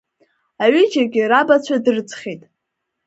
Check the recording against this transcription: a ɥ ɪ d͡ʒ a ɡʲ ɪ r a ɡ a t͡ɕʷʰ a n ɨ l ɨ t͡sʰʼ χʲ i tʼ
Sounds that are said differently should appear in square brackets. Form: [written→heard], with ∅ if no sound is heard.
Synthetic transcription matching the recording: a ɥ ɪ d͡ʒ a ɡʲ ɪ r a [ɡ→b] a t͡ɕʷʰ a [n→d] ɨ [l→r] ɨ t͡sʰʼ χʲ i tʼ

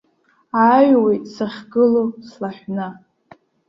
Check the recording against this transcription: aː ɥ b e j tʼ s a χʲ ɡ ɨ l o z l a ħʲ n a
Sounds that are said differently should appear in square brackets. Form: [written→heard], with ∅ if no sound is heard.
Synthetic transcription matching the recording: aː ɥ [b→w] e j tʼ s a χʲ ɡ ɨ l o [z→s] l a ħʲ n a

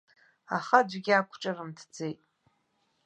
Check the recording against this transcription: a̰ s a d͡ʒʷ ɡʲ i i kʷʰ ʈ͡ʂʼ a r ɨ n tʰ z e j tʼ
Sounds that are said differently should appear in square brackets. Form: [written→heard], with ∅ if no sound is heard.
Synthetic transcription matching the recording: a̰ [s→χ] a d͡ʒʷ ɡʲ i [i→a] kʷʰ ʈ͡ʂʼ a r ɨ [n→m] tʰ [z→d͡z] e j tʼ

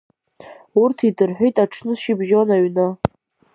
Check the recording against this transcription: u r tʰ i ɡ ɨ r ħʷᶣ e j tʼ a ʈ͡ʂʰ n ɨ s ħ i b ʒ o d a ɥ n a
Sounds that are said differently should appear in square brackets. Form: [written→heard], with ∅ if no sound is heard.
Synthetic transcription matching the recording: u r tʰ i [ɡ→d] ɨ r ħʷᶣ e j tʼ a ʈ͡ʂʰ n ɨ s [ħ→ʃ] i b ʒ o [d→n] a ɥ n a

